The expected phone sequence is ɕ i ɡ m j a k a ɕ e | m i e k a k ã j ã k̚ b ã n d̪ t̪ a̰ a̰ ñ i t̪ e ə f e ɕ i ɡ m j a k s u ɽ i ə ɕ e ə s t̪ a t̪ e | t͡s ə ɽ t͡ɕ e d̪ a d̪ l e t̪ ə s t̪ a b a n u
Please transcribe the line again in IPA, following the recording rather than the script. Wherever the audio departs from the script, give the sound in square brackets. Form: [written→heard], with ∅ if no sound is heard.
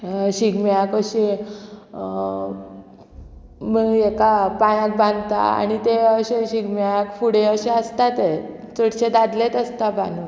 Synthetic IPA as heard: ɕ i ɡ m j a k [a→ə] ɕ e | m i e k a [k→p] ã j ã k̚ b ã n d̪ t̪ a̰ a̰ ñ i t̪ e ə [f→ɕ] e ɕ i ɡ m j a k [s→f] u ɽ [i→e] ə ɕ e ə s t̪ a t̪ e | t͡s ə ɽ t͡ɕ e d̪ a d̪ l e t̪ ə s t̪ a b a n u